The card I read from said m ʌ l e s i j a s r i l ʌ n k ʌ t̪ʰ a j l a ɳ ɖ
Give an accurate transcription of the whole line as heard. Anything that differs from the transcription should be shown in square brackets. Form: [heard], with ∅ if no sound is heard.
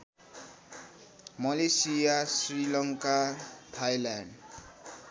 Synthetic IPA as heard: m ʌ l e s i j a s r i l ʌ [ŋ] k [a] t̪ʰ a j l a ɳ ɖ